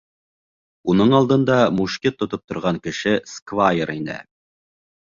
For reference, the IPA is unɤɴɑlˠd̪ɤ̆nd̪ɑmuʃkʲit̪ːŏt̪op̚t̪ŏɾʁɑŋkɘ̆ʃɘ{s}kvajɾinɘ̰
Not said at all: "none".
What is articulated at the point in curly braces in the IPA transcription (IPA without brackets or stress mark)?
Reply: s